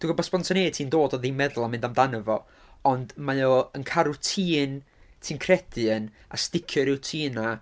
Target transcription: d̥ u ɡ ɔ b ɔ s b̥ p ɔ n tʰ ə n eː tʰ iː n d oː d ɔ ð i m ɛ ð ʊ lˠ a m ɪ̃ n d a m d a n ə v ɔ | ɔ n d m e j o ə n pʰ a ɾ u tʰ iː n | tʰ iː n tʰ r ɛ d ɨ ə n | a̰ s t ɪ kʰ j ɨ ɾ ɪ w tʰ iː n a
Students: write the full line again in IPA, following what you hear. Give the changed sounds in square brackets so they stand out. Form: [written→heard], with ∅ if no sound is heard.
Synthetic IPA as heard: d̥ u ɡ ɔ b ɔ s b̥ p ɔ n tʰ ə n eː tʰ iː n d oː d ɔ ð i m ɛ ð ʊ lˠ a m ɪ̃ n d a m d a n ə v ɔ | ɔ n d m [e→a] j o ə n [pʰ→kʰ] a ɾ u tʰ iː n | tʰ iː n [tʰ→kʰ] r ɛ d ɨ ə n | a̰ s t ɪ kʰ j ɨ ɾ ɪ w tʰ iː n a